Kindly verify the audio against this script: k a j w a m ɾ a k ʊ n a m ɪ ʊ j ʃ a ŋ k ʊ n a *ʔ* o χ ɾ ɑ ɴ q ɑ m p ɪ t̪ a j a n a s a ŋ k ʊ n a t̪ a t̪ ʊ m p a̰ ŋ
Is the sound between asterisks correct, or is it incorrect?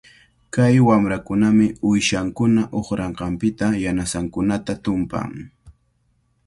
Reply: correct